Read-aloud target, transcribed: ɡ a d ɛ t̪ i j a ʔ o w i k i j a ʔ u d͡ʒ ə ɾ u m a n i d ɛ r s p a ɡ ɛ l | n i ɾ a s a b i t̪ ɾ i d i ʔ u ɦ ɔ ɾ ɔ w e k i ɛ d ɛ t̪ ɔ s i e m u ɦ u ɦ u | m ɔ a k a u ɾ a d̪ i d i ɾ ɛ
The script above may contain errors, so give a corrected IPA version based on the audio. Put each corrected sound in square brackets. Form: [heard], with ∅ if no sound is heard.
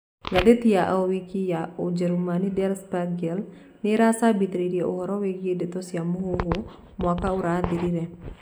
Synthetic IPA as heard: ɡ a d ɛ t̪ i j a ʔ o w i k i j a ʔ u d͡ʒ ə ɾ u m a n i d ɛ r s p a ɡ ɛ l | n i ɾ a s a b i t̪ ɾ i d i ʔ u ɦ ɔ ɾ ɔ w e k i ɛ d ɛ t̪ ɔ s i [a] m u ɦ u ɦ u | m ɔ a k a u ɾ a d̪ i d i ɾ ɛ

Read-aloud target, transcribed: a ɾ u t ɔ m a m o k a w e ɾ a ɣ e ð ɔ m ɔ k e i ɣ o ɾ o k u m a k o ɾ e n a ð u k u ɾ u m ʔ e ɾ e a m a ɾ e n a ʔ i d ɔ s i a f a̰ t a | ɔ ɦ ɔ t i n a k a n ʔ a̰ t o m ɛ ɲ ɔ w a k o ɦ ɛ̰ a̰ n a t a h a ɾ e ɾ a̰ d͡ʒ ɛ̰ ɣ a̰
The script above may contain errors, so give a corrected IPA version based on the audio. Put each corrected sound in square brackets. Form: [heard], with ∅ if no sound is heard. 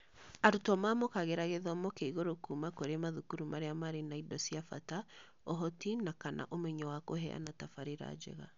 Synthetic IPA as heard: a ɾ u t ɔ m a m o k a [ɣ] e ɾ a ɣ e ð ɔ m ɔ k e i ɣ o ɾ o k u m a k o ɾ e [m] a ð u k u ɾ u m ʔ [a] ɾ e a m a ɾ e n a [∅] i d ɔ s i a f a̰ t a | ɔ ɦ ɔ t i n a k a n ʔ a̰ [ʔ] o m ɛ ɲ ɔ w a k o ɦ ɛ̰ a̰ n a t a [f] a ɾ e ɾ a̰ d͡ʒ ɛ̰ ɣ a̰

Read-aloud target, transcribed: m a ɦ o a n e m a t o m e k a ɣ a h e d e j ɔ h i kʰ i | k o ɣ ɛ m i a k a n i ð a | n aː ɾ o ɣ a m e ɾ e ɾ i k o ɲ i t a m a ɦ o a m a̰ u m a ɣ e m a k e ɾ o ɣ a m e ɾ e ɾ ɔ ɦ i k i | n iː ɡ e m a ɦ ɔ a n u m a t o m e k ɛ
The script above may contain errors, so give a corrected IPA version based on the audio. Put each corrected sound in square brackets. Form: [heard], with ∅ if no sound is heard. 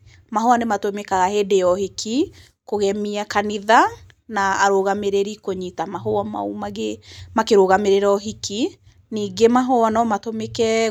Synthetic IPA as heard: m a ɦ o a n e m a t o m e k a ɣ a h e d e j ɔ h i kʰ i | k o ɣ ɛ m i a k a n i ð a | n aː ɾ o ɣ a m e ɾ e ɾ i k o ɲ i t a m a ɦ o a m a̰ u m a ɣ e m a k e ɾ o ɣ a m e ɾ e ɾ ɔ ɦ i k i | n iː ɡ e m a ɦ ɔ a n [ɔ] m a t o m e k ɛ

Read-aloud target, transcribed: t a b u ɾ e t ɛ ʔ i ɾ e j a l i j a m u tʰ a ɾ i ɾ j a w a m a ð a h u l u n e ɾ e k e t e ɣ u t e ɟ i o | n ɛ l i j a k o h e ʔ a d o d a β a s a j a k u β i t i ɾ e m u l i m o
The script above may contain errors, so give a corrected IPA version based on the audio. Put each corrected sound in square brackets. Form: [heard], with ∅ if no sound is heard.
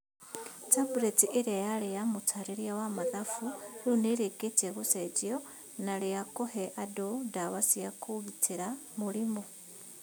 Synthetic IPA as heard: t a b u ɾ e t [i] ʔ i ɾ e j a l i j a m u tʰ a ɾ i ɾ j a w a m a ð a [f] u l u n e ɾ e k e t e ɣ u [s] e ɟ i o | n [a] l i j a k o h e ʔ a d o d a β a s [i] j a k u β i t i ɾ [a] m u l i m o

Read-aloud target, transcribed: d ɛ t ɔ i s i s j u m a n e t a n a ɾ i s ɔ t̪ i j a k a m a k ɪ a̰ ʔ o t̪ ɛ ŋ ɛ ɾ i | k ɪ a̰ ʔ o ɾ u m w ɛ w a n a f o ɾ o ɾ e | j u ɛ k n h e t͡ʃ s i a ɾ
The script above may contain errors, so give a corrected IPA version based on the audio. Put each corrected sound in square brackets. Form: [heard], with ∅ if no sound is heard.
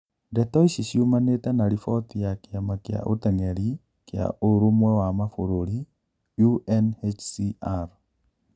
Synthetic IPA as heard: d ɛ t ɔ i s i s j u m a n e t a n a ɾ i [f] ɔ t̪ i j a k a m a k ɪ a̰ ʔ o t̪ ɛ ŋ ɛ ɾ i | k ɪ a̰ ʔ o ɾ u m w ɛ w a [m] a f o ɾ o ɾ [i] | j u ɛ [∅] n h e t͡ʃ s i a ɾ

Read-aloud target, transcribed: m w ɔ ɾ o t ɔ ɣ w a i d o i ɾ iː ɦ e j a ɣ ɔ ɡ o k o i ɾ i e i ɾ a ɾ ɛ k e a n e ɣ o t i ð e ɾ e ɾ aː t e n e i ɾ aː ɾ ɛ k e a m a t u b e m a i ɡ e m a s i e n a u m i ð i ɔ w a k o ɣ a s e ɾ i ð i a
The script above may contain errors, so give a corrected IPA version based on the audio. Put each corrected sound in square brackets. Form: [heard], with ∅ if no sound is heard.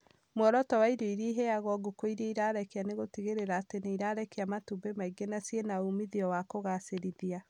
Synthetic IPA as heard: m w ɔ ɾ [ɔ] t ɔ [∅] w a i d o i ɾ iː ɦ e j a ɣ ɔ ɡ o k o i ɾ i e i ɾ a ɾ ɛ k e a n e ɣ o t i [ɣ] e ɾ e ɾ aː t e n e i ɾ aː ɾ ɛ k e a m a t u b e m a i ɡ e [n] a s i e n a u m i ð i ɔ w a k o ɣ a s e ɾ i ð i a

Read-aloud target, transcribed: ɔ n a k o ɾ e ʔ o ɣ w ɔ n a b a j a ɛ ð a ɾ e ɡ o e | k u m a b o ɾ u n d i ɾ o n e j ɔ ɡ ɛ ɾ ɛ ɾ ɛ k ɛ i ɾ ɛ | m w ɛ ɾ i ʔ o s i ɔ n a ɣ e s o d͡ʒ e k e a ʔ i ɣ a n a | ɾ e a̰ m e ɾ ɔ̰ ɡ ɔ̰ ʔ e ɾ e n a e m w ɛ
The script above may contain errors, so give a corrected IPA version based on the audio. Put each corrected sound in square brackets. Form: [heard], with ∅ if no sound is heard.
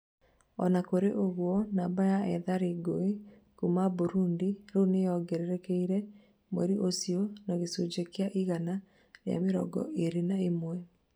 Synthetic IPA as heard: ɔ n a k o ɾ e ʔ o ɣ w ɔ n a b a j a ɛ ð a ɾ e ɡ o e | k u m a b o ɾ u n d i ɾ o n e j ɔ ɡ ɛ ɾ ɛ ɾ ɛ k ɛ i ɾ ɛ | m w ɛ ɾ i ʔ o s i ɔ n a ɣ e s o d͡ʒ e k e a ʔ i ɣ a n a | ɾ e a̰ m e ɾ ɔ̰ ɡ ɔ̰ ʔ e ɾ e n a e m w ɛ

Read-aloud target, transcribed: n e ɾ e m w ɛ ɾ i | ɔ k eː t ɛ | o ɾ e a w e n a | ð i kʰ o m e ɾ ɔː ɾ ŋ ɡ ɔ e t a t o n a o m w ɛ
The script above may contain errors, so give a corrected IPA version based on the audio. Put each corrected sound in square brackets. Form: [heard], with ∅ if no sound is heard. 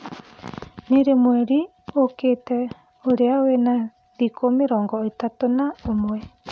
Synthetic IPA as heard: n e ɾ e m w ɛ ɾ i | [o] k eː t ɛ | o ɾ e a w e n a | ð i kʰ o m e ɾ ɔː [∅] ŋ ɡ ɔ e t a t o n a o m w ɛ

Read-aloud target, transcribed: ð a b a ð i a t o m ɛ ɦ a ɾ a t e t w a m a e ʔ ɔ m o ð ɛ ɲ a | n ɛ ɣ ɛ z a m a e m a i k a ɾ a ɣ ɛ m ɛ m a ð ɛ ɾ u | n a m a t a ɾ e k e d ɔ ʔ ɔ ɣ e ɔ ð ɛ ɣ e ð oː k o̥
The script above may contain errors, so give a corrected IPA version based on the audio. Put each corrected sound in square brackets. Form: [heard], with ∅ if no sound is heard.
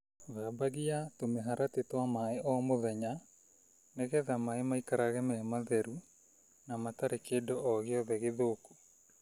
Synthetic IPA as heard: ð a b a [ɣ] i a t o m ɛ ɦ a ɾ a t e t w a m a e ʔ ɔ m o ð ɛ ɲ a | n ɛ ɣ ɛ [ð] a m a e m a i k a ɾ a ɣ ɛ m ɛ m a ð ɛ ɾ u | n a m a t a ɾ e k e d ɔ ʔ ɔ ɣ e ɔ ð ɛ ɣ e ð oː k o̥

